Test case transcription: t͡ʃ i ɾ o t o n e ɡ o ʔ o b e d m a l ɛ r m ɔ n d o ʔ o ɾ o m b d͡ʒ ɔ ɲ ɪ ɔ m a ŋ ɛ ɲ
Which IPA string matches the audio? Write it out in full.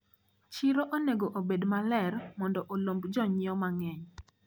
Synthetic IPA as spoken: t͡ʃ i ɾ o ʔ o n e ɡ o ʔ o b e d m a l ɛ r m ɔ n d ɔ ʔ o l o m b d͡ʒ ɔ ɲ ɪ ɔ m a ŋ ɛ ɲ